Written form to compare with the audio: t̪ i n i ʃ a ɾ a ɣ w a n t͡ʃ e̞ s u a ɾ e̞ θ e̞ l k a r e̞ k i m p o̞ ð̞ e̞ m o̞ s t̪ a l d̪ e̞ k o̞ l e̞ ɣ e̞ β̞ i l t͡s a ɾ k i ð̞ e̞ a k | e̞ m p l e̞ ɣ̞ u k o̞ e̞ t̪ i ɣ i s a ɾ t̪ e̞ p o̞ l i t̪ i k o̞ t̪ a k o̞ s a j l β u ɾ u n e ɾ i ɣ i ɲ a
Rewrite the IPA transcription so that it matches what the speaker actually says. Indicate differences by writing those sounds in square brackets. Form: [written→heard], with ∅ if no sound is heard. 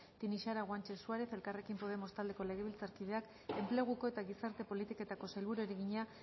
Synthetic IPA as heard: t̪ i n i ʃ a ɾ a ɣ w a n t͡ʃ e̞ s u a ɾ e̞ θ e̞ l k a r e̞ k i m p o̞ ð̞ e̞ m o̞ s t̪ a l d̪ e̞ k o̞ l e̞ ɣ e̞ β̞ i l t͡s a ɾ k i ð̞ e̞ a k | e̞ m p l e̞ ɣ̞ u k o̞ e̞ t̪ [i→a] ɣ i s a ɾ t̪ e̞ p o̞ l i t̪ i k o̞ t̪ a k o̞ s a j l β u ɾ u [n→∅] e ɾ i ɣ i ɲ a